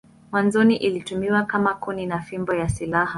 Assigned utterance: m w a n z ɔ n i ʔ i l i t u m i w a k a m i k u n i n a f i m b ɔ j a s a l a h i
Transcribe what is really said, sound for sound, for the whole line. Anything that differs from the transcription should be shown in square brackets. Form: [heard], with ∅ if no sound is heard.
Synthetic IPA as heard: m w a n z ɔ n i ʔ i l i t u m i w a k a m [a] k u n i n a f i m b ɔ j a s [i] l a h [a]